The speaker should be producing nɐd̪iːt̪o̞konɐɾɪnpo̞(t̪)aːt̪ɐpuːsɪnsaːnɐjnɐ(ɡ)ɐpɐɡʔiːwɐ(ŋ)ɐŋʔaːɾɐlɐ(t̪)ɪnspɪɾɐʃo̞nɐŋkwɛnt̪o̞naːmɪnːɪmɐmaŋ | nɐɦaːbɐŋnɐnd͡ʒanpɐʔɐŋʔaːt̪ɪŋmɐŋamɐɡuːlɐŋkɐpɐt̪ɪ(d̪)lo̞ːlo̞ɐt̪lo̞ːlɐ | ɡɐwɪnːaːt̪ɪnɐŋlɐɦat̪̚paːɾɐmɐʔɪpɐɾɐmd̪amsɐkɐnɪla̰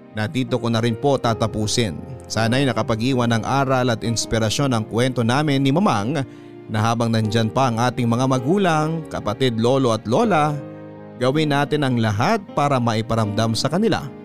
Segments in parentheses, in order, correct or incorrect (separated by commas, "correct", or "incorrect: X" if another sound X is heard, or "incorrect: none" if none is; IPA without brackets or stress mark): correct, incorrect: k, incorrect: n, correct, correct